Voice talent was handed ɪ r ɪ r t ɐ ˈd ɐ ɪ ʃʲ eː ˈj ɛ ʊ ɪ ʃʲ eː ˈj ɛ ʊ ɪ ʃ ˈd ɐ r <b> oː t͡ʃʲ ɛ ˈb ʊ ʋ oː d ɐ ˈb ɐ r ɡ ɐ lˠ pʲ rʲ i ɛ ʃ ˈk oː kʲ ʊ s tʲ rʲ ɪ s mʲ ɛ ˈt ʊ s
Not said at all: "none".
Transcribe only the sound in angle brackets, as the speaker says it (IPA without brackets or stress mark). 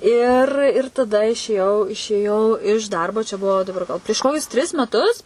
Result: b